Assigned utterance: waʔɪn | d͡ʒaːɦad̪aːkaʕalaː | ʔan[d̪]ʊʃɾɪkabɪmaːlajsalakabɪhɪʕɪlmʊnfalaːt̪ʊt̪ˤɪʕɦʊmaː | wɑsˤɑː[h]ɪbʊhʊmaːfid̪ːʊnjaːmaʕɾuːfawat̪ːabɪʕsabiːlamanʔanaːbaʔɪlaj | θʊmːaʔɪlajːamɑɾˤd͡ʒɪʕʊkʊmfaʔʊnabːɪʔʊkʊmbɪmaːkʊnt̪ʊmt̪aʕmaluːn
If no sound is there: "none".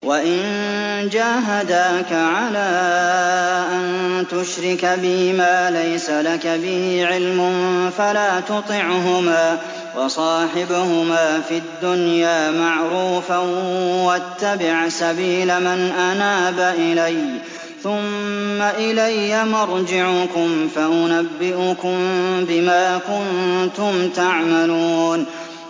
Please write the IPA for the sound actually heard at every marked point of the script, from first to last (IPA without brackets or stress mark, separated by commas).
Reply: t̪, ħ